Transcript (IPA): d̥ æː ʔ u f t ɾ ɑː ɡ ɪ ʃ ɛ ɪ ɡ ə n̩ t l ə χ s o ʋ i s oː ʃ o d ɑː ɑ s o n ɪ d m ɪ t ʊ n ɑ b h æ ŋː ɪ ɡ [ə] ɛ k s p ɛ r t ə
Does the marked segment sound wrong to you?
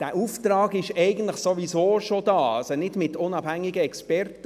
no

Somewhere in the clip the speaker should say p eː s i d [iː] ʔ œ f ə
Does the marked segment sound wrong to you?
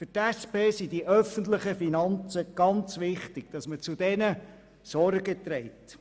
yes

